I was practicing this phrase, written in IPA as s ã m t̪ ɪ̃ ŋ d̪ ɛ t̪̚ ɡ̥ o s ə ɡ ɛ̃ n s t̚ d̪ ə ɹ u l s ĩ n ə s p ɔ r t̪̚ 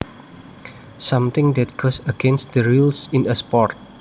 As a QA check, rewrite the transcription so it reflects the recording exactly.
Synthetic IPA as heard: s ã m t̪ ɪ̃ ŋ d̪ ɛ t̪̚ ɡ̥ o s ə ɡ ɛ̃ n s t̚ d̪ ə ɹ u l s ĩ n ə s p ɔ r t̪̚